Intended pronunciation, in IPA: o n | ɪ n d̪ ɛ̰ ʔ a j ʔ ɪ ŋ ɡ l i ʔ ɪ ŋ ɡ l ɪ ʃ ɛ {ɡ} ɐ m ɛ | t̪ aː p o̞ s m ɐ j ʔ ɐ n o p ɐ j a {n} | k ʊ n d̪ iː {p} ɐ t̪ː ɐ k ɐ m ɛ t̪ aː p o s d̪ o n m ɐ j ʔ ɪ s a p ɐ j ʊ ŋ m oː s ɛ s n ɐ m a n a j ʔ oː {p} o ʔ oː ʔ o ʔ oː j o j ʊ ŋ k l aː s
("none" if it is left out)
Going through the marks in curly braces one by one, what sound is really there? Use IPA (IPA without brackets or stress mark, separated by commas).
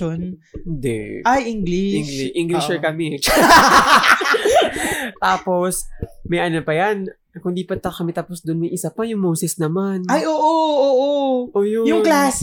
k, n, p, ʔ